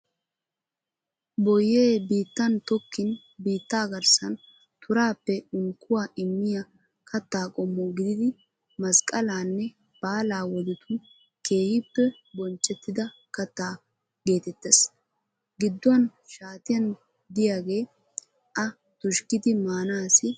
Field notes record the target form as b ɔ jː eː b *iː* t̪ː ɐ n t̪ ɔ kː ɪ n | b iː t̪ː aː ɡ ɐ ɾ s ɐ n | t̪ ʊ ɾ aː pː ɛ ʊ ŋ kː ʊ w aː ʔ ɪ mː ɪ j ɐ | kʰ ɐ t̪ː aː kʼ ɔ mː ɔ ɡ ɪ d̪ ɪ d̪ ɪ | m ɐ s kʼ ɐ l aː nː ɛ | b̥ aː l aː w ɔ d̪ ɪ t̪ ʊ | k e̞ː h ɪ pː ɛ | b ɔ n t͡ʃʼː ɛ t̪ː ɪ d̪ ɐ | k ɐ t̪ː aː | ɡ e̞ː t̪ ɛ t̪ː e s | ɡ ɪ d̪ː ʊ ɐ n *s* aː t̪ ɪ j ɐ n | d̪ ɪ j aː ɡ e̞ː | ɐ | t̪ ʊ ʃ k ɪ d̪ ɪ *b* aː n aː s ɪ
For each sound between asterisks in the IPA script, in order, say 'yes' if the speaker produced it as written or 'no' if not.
yes, no, no

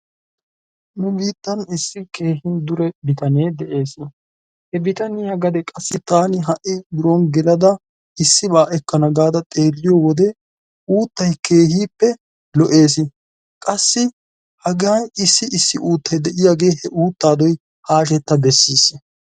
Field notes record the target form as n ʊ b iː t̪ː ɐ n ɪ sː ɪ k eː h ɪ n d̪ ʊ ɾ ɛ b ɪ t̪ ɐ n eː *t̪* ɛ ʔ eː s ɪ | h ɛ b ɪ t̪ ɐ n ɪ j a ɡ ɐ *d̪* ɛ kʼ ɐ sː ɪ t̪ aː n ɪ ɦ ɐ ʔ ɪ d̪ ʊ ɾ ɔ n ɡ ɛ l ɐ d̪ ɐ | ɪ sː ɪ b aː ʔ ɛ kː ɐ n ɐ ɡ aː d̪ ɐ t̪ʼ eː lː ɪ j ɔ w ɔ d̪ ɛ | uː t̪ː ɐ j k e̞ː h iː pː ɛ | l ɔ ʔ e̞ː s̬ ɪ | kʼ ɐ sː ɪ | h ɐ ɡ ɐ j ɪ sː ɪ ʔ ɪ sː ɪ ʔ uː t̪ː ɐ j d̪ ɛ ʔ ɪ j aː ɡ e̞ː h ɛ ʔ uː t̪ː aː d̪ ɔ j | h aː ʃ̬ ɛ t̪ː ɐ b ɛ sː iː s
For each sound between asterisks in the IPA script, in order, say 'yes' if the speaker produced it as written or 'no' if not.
no, yes

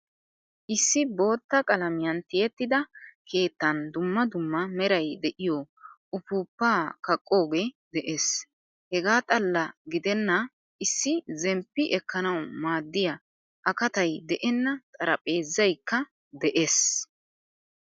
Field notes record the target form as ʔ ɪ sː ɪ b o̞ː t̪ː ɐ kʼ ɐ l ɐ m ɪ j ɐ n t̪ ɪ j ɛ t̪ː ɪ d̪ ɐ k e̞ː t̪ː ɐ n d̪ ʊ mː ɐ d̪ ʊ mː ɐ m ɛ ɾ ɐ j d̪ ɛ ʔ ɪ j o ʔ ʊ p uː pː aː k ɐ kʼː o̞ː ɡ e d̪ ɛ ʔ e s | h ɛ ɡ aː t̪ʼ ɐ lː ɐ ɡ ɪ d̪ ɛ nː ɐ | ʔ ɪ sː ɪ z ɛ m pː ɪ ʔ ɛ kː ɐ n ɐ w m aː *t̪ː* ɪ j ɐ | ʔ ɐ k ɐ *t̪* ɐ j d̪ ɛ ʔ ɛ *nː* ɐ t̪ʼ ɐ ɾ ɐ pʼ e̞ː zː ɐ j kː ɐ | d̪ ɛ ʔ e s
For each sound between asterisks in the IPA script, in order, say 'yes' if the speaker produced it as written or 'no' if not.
no, yes, yes

